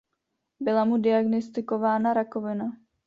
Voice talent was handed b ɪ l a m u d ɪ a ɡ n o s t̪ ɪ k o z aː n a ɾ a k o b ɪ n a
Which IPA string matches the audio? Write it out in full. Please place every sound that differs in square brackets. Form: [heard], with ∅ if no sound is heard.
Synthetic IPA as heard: b ɪ l a m u d ɪ a ɡ n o s t̪ ɪ k o [v] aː n a ɾ a k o [v] ɪ n a